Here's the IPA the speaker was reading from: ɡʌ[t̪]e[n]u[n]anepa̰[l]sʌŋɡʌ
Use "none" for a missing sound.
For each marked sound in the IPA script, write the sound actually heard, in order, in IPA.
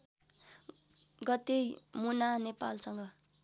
t̪, m, n, l

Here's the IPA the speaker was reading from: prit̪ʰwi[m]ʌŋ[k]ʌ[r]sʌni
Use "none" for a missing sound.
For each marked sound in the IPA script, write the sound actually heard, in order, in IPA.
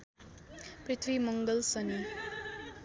m, ɡ, l

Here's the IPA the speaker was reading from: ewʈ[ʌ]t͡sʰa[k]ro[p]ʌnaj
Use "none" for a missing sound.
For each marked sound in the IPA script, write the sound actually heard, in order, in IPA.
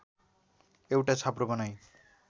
a, p, b

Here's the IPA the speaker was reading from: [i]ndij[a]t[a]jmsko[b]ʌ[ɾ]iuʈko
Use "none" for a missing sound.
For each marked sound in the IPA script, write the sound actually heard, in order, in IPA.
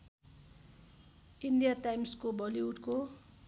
i, a, a, b, l

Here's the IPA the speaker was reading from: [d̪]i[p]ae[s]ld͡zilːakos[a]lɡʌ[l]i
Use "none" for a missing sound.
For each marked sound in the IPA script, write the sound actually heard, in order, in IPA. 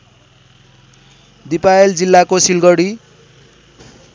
d̪, p, none, i, ɽ

